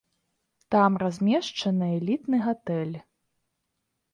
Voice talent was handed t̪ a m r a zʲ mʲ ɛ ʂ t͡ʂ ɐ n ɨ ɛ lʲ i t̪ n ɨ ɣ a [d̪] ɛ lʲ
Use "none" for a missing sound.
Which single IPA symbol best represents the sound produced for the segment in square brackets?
t̪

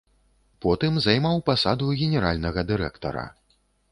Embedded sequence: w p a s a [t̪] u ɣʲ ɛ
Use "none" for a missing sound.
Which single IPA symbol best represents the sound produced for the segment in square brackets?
d̪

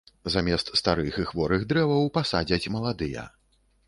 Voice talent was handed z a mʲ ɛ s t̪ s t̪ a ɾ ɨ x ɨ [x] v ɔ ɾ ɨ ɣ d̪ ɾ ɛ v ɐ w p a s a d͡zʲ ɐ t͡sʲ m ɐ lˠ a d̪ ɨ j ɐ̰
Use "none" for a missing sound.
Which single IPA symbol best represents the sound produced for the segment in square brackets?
x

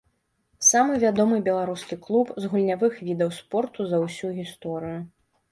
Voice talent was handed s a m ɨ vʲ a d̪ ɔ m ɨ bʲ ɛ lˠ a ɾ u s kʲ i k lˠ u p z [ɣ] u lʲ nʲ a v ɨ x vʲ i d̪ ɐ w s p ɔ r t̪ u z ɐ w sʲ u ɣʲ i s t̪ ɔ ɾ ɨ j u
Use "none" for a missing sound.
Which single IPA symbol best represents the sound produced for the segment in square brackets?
ɣ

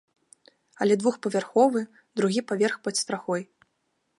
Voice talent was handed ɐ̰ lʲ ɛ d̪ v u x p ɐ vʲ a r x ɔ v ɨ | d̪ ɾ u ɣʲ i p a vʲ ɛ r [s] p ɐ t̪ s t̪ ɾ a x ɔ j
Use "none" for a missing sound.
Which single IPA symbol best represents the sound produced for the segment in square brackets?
x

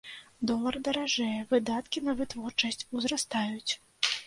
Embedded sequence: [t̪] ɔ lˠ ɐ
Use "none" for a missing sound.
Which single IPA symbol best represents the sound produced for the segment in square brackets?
d̪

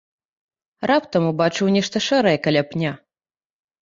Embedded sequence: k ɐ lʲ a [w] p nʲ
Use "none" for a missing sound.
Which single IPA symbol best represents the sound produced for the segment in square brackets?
none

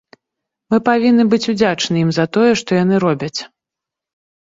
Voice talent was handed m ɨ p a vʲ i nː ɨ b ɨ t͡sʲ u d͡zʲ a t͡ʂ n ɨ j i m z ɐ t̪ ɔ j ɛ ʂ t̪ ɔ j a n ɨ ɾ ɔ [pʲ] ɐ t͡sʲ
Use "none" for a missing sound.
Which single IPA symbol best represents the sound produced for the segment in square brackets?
bʲ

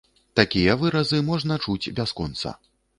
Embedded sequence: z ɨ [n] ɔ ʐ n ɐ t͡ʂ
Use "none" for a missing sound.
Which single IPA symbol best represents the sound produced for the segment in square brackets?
m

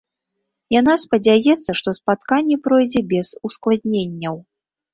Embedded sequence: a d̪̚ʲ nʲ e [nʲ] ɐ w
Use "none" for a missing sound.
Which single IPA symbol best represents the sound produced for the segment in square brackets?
nʲː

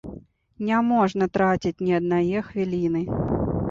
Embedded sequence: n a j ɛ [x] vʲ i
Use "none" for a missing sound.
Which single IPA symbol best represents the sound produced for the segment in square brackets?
x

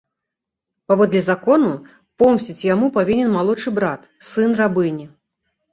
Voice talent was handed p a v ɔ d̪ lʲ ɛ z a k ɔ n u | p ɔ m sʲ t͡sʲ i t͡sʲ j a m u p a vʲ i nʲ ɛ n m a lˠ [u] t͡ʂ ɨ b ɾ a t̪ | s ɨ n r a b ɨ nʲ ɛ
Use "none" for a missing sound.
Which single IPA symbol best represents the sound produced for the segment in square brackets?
ɔ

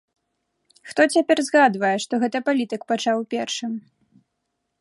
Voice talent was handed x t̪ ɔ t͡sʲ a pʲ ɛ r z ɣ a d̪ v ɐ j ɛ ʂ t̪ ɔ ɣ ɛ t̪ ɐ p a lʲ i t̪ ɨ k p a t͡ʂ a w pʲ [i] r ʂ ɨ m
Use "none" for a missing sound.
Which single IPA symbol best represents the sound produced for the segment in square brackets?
ɛ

